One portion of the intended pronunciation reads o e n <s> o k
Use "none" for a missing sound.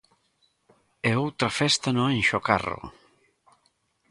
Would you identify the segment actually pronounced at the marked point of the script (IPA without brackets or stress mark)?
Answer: ʃ